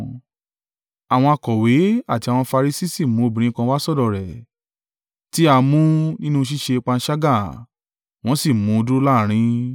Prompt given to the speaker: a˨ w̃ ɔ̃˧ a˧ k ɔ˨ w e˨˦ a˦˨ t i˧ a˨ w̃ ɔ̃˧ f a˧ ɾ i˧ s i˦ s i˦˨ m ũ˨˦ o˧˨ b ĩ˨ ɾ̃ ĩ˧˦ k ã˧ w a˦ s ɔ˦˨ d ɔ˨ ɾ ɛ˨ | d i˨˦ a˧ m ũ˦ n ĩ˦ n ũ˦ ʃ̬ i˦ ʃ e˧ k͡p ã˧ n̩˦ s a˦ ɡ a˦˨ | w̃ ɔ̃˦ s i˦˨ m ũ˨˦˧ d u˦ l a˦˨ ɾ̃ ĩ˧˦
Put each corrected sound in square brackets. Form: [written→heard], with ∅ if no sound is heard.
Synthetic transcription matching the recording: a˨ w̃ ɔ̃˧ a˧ k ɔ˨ w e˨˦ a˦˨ t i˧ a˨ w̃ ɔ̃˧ f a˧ ɾ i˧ s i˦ s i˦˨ m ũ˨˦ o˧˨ b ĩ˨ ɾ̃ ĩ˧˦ k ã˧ w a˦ s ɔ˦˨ d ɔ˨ ɾ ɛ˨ | [d→t] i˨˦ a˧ m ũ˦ n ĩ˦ n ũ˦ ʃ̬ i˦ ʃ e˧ k͡p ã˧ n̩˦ [s→ʃ] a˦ ɡ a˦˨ | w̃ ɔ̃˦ s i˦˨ m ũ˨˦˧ d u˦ l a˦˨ ɾ̃ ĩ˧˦

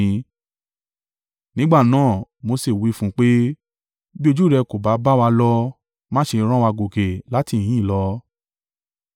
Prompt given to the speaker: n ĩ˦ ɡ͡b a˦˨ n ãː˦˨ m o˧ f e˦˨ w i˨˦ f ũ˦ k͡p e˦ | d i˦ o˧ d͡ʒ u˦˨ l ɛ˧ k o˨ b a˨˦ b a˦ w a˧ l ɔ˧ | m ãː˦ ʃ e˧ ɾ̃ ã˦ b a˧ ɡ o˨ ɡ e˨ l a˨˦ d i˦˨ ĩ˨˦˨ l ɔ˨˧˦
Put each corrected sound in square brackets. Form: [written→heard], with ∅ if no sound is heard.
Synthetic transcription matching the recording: n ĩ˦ ɡ͡b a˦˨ n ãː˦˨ m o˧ [f→s] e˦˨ w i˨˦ f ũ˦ k͡p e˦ | [d→b] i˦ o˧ d͡ʒ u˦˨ [l→ɾ] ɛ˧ k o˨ b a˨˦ b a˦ w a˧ l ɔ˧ | m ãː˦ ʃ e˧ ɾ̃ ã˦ [b→w] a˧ ɡ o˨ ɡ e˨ l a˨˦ [d→t] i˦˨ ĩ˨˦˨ l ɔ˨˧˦

